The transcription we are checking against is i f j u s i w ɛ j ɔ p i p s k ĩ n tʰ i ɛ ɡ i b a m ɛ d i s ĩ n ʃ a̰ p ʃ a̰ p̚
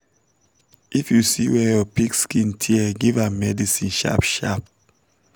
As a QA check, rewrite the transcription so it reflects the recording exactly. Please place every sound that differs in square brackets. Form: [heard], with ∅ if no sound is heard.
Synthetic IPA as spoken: i f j u s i w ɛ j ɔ p i [k] s k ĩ n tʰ i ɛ ɡ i [v] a m ɛ d i s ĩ n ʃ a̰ p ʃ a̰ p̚